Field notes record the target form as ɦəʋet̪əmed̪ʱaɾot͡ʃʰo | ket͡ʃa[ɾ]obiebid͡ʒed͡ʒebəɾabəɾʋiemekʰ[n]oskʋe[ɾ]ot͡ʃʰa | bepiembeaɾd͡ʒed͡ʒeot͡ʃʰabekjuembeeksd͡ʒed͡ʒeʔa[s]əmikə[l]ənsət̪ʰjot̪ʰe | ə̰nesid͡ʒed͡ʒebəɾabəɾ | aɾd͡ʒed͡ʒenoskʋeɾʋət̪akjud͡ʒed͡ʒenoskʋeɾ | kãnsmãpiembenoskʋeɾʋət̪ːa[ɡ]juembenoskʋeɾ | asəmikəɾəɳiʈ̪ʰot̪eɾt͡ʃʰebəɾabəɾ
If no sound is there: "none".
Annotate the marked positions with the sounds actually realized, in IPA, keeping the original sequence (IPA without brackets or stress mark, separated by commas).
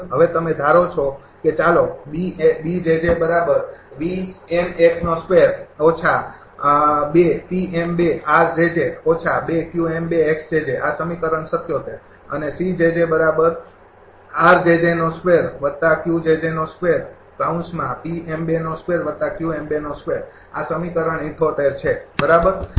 l, n, ɾ, s, ɾ, k